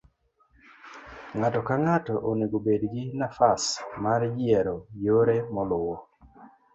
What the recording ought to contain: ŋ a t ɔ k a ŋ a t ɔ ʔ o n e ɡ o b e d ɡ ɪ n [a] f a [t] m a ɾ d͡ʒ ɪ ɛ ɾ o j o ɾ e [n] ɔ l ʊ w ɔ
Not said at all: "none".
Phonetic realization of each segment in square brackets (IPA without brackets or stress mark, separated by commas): a, s, m